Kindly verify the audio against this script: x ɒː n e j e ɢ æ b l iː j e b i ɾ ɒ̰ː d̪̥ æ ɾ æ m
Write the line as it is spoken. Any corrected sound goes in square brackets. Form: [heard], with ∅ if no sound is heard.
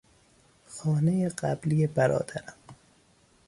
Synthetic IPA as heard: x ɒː n e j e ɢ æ b l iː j e b [æ] ɾ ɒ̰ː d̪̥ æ ɾ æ m